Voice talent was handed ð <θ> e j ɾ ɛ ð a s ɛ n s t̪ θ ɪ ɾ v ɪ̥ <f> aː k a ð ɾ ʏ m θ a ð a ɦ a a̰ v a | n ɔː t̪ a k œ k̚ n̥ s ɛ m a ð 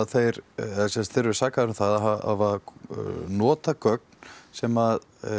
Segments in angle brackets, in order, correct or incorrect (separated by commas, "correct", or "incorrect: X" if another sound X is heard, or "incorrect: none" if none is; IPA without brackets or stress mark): correct, incorrect: s